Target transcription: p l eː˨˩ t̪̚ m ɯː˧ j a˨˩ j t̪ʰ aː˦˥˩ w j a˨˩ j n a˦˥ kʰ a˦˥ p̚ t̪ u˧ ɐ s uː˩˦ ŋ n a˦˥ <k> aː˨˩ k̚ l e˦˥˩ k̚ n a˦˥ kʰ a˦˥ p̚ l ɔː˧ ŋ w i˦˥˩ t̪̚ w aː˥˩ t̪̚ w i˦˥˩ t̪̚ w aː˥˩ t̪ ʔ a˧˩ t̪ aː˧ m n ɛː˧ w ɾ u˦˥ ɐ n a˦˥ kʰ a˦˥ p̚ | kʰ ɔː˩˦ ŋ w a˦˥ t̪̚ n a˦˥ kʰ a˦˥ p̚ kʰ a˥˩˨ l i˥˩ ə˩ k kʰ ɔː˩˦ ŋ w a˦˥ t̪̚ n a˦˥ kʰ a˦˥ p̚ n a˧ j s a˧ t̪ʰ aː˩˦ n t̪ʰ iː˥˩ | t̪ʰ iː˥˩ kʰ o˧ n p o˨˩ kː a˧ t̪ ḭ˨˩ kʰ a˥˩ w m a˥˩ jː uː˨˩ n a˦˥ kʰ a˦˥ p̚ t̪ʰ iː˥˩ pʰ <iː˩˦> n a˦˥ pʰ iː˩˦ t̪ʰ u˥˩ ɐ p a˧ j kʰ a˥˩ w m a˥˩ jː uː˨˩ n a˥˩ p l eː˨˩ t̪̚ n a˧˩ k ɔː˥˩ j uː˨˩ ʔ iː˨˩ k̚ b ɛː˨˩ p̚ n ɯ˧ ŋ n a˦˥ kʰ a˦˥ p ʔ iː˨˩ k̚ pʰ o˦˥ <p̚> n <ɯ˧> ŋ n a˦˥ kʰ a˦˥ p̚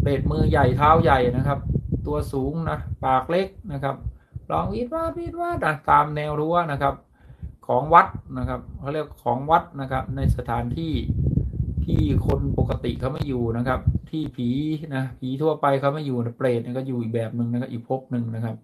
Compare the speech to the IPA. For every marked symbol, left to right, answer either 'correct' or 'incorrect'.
incorrect: p, correct, correct, correct

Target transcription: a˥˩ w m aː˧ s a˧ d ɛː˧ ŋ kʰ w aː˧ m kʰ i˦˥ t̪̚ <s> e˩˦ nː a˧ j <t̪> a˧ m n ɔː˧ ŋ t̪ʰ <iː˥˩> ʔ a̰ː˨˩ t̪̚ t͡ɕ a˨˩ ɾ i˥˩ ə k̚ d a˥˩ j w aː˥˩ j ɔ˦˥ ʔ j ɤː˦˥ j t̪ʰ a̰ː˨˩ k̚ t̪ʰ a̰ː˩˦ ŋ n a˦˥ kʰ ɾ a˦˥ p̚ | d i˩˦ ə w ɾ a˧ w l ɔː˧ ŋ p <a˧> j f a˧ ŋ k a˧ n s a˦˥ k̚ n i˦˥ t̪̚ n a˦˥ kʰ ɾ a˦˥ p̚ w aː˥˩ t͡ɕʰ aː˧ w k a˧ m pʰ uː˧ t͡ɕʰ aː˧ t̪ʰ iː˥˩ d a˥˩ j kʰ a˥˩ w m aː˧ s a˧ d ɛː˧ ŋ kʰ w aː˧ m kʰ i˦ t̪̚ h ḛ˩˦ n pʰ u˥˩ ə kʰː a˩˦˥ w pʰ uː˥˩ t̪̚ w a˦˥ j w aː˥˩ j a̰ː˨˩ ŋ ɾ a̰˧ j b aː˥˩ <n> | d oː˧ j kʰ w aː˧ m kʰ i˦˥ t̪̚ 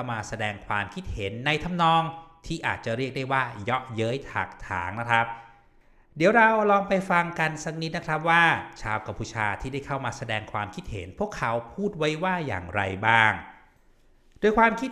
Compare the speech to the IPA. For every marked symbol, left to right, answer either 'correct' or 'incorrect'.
incorrect: h, incorrect: t̪ʰ, correct, correct, incorrect: ŋ

